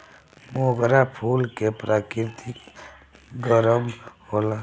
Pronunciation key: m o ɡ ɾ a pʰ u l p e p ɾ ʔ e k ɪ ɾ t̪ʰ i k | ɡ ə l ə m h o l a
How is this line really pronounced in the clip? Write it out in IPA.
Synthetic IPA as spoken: m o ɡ ɾ a pʰ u l k e p ɾ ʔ a k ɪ ɾ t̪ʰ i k | ɡ ə ɾ ə m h o l a